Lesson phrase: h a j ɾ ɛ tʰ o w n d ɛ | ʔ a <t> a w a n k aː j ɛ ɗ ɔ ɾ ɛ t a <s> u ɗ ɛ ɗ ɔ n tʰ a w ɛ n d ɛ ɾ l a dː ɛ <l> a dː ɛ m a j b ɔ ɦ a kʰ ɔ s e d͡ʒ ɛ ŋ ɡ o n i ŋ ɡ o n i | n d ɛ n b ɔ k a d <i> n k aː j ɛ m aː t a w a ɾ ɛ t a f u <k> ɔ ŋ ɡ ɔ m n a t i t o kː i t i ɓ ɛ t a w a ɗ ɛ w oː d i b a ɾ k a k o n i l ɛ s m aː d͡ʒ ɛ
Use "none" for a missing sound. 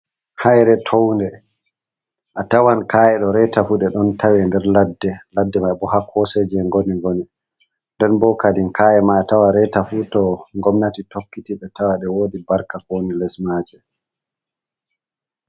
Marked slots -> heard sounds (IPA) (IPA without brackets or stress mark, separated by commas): t, f, l, i, t